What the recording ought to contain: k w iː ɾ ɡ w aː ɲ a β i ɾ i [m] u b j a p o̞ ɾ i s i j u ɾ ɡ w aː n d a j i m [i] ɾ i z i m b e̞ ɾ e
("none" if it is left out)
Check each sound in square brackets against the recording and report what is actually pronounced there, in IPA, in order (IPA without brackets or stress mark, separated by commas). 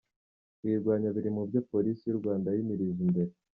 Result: m, i